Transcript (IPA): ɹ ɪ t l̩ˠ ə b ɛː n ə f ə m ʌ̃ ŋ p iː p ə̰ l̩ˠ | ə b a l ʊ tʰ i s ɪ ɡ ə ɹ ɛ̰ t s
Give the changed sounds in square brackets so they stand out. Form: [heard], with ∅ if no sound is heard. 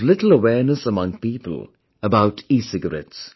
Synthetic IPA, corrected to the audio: [l] ɪ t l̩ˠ ə [w] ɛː n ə [s] ə m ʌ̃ ŋ p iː p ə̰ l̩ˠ | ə b a [∅] ʊ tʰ i s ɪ ɡ ə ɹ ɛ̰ t s